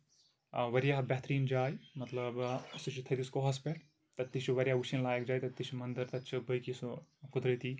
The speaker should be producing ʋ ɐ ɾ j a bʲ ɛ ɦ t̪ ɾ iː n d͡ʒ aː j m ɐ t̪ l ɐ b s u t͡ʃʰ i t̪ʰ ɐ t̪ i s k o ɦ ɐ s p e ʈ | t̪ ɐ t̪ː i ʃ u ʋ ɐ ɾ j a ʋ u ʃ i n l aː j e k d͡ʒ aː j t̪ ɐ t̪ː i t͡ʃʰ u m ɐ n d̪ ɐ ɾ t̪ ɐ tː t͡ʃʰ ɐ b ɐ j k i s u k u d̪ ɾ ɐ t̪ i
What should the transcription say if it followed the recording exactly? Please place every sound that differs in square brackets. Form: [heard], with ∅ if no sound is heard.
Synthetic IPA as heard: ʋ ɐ ɾ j a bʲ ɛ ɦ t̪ ɾ iː n d͡ʒ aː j m ɐ t̪ l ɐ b s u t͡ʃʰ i t̪ʰ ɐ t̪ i s k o ɦ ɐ s p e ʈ | t̪ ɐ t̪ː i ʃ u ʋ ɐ ɾ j a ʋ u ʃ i n l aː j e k d͡ʒ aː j t̪ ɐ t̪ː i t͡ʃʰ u m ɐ n d̪ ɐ ɾ t̪ ɐ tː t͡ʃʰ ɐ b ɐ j k i s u k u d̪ ɾ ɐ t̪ i